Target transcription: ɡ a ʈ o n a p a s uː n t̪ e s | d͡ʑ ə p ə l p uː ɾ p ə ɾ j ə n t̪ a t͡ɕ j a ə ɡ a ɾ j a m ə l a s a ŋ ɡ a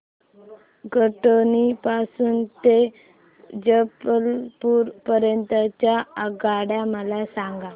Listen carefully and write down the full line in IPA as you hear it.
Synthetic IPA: ɡ ə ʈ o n i p a s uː n t̪ e | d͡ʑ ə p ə l p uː ɾ p ə ɾ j ə n t̪ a t͡ɕ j a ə ɡ a ɽ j a m ə l a s a ŋ ɡ a